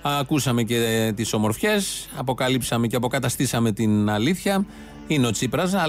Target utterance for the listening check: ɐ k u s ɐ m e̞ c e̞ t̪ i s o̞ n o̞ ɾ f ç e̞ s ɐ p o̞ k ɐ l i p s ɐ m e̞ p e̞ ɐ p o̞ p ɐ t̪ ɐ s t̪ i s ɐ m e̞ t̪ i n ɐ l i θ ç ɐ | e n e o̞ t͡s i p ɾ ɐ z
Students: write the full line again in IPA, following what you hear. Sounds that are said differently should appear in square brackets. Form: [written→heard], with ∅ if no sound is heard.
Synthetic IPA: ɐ k u s ɐ m e̞ c e̞ t̪ i s o̞ [n→m] o̞ ɾ f ç e̞ s ɐ p o̞ k ɐ l i p s ɐ m e̞ [p→c] e̞ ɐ p o̞ [p→k] ɐ t̪ ɐ s t̪ i s ɐ m e̞ t̪ i n ɐ l i θ ç ɐ | [e→i] n e o̞ t͡s i p ɾ ɐ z